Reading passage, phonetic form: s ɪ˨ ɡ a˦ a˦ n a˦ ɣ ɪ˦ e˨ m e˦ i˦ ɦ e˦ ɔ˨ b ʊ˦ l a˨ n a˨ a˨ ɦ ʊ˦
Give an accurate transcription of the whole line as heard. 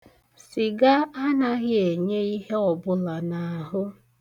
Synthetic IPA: s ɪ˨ ɡ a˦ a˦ n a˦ ɣ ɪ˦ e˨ ɲ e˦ i˦ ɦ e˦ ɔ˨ b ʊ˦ l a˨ n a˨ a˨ ɦ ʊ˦